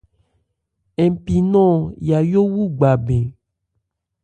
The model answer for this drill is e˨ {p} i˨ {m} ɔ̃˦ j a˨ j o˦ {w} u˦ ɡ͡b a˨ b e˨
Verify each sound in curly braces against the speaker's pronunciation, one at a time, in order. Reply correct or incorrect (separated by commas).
correct, incorrect, correct